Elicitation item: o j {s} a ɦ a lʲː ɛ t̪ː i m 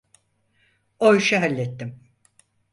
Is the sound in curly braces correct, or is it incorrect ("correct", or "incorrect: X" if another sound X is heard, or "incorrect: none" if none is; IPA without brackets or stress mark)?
incorrect: ʃ